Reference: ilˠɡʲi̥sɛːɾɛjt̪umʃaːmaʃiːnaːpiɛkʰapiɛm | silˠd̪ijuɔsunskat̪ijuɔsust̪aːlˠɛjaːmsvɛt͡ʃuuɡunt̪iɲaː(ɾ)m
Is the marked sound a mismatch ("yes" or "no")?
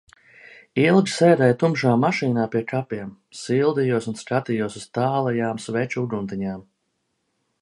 yes